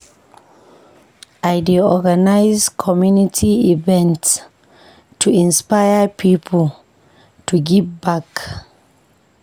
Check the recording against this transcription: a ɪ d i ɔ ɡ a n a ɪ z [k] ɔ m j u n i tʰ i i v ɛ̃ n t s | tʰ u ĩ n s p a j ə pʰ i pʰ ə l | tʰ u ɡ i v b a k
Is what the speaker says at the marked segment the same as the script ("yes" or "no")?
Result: no